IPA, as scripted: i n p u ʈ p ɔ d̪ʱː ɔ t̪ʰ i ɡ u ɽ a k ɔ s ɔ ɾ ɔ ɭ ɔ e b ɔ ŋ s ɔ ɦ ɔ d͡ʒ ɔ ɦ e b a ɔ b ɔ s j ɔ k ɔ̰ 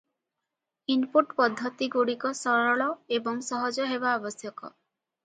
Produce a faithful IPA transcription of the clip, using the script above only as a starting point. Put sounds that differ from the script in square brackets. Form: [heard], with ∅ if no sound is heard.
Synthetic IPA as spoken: i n p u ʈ p ɔ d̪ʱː ɔ [t̪] i ɡ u ɽ [i] k ɔ s ɔ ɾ ɔ ɭ ɔ e b ɔ ŋ s ɔ ɦ ɔ d͡ʒ ɔ ɦ e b a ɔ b ɔ s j ɔ k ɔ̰